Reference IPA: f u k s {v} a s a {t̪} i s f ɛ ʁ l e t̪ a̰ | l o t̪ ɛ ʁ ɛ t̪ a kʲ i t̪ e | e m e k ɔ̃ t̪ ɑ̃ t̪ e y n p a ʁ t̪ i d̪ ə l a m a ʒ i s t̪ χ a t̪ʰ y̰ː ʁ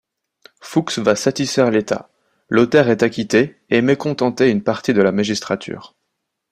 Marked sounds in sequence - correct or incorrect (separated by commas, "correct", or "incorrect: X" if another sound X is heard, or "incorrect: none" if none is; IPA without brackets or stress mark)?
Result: correct, correct